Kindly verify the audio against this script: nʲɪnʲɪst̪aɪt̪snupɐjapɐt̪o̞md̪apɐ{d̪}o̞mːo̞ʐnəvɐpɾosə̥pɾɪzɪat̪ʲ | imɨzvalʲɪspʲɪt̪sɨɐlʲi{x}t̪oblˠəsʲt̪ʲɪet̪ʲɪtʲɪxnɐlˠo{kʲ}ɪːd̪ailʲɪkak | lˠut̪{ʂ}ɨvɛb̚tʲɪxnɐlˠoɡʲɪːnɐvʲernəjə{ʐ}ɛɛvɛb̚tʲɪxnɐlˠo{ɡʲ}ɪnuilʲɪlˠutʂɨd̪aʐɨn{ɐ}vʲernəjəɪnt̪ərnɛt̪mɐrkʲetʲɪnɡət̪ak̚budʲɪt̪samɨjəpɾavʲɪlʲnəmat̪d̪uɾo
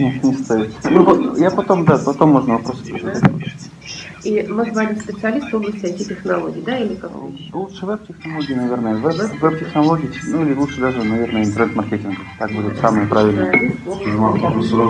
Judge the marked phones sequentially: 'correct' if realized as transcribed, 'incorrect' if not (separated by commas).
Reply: incorrect, incorrect, incorrect, correct, incorrect, correct, correct